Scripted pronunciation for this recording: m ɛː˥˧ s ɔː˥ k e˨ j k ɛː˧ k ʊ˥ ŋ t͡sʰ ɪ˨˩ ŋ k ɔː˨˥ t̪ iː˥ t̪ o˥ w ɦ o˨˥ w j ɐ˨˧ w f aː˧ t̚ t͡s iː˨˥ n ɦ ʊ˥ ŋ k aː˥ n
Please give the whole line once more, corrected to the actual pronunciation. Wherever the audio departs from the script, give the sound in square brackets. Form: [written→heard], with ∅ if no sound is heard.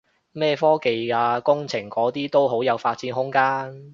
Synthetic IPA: m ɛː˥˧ [s→f] ɔː˥ k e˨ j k [ɛː˧→aː˧] k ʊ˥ ŋ t͡sʰ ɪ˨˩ ŋ k ɔː˨˥ t̪ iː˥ t̪ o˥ w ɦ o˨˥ w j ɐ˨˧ w f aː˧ t̚ t͡s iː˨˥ n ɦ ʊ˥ ŋ k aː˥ n

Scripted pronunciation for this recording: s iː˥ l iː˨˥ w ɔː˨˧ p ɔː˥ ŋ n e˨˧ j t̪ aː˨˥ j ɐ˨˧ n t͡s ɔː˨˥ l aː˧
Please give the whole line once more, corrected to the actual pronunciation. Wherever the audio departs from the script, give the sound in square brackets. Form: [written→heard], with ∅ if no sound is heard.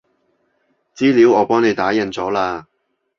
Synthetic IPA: [s→t͡s] iː˥ l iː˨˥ w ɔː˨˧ p ɔː˥ ŋ n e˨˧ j t̪ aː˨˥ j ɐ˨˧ n t͡s ɔː˨˥ l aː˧

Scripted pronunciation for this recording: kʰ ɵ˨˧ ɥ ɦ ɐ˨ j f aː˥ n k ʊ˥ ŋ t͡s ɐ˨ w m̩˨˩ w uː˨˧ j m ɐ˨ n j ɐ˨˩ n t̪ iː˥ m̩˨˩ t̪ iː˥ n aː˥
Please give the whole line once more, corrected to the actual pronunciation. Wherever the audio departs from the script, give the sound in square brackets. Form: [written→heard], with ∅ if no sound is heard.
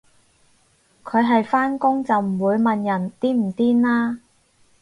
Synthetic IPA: kʰ ɵ˨˧ ɥ ɦ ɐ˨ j f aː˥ n k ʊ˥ ŋ t͡s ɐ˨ w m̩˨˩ w uː˨˧ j m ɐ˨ n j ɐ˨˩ n t̪ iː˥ m̩˨˩ t̪ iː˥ n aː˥

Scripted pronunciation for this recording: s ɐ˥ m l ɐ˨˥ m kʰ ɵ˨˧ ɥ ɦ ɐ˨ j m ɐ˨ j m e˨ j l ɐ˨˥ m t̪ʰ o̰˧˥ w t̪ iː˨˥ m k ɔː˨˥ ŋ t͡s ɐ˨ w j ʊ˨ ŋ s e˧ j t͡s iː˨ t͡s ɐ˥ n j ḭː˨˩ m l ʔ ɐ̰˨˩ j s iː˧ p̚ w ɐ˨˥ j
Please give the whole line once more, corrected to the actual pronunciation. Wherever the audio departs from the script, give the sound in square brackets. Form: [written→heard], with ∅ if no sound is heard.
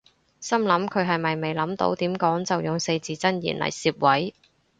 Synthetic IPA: s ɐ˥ m l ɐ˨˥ m kʰ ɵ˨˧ ɥ ɦ ɐ˨ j m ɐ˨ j m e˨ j l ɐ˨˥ m [t̪ʰ→t̪] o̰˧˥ w t̪ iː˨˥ m k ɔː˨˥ ŋ t͡s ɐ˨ w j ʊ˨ ŋ s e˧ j t͡s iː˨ t͡s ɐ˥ n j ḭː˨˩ [m→n] l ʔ ɐ̰˨˩ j s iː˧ p̚ w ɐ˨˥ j

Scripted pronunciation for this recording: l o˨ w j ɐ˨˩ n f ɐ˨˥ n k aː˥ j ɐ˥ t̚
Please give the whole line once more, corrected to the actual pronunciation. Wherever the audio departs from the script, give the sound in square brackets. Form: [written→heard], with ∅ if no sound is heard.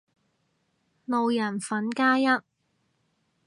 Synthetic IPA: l o˨ w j ɐ˨˩ n f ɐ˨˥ n k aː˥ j ɐ˥ t̚

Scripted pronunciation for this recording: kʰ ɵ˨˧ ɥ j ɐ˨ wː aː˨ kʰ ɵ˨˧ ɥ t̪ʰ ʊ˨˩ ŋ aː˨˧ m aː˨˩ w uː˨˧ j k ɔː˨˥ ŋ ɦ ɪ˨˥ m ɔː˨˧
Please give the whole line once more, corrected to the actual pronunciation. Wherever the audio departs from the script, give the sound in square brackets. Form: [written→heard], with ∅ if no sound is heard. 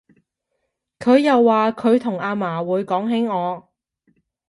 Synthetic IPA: kʰ ɵ˨˧ ɥ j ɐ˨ wː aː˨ kʰ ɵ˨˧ ɥ t̪ʰ ʊ˨˩ ŋ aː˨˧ m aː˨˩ w uː˨˧ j k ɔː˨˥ ŋ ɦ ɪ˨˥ [m→ŋ] ɔː˨˧

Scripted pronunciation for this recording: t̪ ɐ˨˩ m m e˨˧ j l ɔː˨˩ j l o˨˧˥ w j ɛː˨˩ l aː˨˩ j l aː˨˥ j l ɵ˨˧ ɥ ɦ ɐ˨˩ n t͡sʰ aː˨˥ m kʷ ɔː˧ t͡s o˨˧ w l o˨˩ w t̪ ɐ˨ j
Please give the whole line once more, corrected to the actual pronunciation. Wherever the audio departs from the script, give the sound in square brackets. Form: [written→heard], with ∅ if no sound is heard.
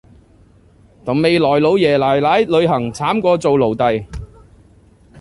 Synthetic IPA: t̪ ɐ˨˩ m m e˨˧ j l ɔː˨˩ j l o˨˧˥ w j ɛː˨˩ l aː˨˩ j l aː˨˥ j l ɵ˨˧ ɥ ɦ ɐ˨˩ [n→ŋ] t͡sʰ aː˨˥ m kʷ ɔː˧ t͡s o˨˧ w l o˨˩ w t̪ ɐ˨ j

